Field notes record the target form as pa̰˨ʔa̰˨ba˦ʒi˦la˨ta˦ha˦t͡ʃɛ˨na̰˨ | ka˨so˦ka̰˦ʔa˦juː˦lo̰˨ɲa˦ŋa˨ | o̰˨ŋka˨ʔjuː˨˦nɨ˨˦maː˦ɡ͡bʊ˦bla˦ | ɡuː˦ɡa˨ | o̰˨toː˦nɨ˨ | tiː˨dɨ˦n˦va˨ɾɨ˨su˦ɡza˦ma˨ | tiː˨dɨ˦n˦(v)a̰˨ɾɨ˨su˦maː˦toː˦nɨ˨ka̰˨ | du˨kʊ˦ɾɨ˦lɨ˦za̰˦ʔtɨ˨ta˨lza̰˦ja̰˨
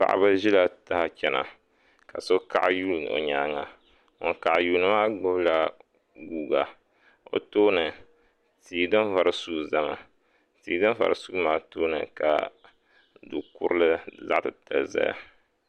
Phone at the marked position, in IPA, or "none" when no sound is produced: v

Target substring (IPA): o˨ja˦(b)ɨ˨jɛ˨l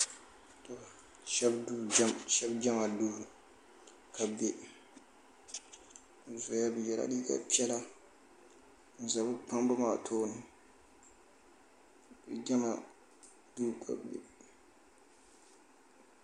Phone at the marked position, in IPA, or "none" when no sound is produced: b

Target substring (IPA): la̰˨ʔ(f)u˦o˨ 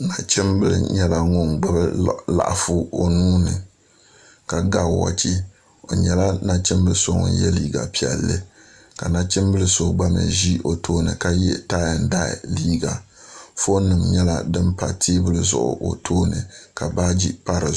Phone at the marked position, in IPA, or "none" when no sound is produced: f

